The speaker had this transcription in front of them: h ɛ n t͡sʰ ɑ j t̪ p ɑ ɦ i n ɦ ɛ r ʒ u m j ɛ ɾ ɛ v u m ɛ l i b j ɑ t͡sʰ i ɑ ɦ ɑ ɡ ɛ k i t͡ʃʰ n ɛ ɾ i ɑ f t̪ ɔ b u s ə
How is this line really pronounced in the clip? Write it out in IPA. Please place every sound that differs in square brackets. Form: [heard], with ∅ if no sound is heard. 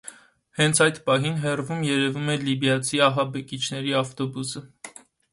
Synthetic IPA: h ɛ n t͡sʰ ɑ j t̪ p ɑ ɦ i n ɦ ɛ r [v] u m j ɛ ɾ ɛ v u m ɛ l i b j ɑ t͡sʰ i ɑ ɦ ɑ [b] ɛ k i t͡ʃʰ n ɛ ɾ i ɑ f t̪ ɔ b u s ə